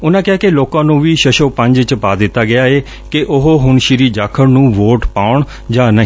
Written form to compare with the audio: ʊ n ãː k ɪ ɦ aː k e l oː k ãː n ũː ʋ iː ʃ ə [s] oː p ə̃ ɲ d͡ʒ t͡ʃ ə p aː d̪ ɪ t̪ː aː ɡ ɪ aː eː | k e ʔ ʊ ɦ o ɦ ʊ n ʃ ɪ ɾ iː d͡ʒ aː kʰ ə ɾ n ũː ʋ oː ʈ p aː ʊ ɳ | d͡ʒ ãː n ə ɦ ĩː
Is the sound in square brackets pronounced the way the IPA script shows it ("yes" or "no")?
no